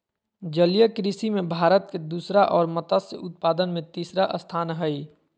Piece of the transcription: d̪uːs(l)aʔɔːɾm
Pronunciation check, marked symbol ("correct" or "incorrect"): incorrect